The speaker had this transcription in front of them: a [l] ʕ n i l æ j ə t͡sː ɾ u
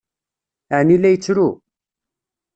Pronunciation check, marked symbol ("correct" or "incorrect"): incorrect